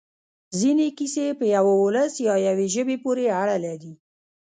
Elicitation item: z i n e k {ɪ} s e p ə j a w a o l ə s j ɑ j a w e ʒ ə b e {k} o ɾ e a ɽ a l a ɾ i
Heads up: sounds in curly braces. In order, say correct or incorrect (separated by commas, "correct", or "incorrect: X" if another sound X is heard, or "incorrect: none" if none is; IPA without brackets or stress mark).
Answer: incorrect: i, incorrect: p